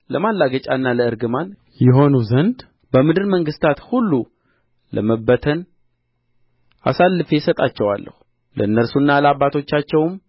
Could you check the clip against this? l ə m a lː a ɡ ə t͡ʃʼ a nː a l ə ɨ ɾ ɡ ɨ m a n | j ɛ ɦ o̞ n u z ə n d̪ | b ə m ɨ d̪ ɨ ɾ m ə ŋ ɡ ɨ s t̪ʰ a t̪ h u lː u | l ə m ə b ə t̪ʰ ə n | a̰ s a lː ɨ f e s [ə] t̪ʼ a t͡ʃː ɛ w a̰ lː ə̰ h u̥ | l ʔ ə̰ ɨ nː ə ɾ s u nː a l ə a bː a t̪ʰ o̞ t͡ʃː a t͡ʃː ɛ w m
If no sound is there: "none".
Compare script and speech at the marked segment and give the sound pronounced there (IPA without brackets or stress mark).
ə